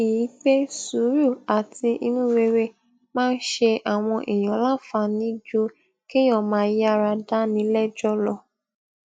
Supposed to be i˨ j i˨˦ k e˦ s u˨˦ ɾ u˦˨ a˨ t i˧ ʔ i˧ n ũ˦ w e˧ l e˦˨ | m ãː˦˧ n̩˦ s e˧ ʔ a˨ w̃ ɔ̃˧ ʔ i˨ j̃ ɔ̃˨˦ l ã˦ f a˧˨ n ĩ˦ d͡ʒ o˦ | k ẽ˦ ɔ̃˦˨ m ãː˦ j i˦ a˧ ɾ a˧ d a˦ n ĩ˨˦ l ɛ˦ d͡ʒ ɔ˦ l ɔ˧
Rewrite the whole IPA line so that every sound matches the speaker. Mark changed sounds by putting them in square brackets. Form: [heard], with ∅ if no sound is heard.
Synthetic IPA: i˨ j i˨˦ [k͡p] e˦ s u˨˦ ɾ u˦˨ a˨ t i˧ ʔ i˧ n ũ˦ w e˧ [ɾ] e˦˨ | m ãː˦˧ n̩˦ [ʃ] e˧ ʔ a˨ w̃ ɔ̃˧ ʔ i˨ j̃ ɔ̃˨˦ l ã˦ f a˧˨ n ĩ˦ d͡ʒ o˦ | k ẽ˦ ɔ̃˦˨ m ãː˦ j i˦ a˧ ɾ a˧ d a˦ n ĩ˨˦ l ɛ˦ d͡ʒ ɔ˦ l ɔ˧